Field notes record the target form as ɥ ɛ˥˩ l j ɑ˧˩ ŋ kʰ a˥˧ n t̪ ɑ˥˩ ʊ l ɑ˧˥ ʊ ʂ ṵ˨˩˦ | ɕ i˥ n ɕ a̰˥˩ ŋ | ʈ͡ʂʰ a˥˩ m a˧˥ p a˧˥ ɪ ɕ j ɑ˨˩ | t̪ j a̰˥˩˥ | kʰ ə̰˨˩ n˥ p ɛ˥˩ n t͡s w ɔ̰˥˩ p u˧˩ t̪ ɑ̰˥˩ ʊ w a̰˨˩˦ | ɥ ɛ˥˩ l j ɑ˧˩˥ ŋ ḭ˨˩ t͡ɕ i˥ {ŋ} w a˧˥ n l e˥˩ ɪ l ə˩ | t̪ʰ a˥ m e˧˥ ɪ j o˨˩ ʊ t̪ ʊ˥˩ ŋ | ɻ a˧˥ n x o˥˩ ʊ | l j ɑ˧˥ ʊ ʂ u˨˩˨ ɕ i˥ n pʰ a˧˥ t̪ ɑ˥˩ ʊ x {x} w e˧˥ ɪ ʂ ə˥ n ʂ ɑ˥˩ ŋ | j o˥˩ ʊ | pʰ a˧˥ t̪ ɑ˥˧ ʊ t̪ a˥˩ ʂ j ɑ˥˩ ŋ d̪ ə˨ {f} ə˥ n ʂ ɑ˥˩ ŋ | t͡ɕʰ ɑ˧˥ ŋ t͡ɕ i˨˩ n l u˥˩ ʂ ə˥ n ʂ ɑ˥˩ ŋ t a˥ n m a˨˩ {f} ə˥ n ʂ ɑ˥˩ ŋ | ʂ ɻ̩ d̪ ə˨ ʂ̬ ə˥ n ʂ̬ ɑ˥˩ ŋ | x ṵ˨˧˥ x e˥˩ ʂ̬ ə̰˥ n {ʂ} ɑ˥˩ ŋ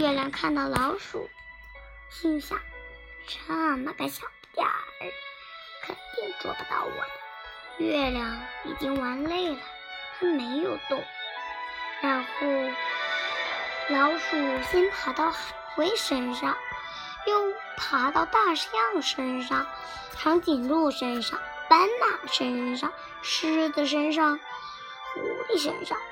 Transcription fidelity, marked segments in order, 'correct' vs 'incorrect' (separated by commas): correct, correct, incorrect, incorrect, correct